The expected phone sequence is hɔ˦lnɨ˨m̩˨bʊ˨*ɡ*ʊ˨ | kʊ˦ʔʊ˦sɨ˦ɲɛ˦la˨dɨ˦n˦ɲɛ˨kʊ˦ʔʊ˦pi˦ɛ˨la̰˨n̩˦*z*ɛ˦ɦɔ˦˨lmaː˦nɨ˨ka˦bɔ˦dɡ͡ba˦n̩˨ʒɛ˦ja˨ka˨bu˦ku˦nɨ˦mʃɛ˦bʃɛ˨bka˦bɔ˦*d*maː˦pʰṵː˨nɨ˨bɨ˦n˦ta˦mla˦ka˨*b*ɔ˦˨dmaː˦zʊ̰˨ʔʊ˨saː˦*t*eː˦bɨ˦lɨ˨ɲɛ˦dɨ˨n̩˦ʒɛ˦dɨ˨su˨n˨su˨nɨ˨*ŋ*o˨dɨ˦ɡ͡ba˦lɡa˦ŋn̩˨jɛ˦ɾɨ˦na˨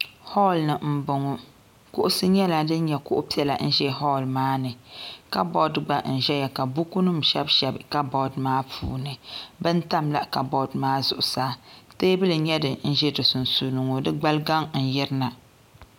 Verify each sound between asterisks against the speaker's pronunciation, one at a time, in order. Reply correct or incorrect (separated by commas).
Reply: incorrect, incorrect, correct, correct, correct, correct